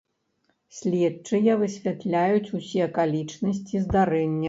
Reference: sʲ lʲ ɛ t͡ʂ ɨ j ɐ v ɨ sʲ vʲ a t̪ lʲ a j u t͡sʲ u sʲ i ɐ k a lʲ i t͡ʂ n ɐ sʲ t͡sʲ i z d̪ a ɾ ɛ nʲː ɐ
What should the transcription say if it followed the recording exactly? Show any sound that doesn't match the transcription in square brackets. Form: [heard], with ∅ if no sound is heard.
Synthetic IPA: sʲ lʲ ɛ t͡ʂ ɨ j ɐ v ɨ sʲ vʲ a t̪ lʲ a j u t͡sʲ u sʲ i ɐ k a lʲ i t͡ʂ n ɐ sʲ t͡sʲ i z d̪ a ɾ ɛ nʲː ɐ